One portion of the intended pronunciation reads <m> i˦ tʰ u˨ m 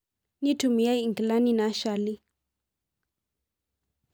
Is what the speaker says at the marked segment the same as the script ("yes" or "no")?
no